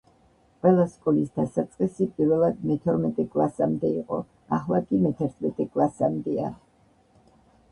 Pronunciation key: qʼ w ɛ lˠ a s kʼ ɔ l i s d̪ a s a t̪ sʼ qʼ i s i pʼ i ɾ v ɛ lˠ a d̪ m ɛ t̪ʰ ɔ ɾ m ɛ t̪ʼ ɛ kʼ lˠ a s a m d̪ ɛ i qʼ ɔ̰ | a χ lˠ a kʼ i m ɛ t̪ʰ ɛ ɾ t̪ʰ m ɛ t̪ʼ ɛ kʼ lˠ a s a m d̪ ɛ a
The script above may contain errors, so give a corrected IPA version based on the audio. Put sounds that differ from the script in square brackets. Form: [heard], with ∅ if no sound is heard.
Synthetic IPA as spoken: qʼ w ɛ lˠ a s kʼ ɔ l i s d̪ a s a t̪ sʼ qʼ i s i pʼ i ɾ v ɛ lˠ a d̪ m ɛ t̪ʰ ɔ ɾ m ɛ t̪ʼ ɛ kʼ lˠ a s a m d̪ ɛ i qʼ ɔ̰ | a χ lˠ a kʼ i m ɛ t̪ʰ ɛ ɾ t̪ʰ m ɛ t̪ʼ ɛ kʼ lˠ a s a m d̪ ɛ a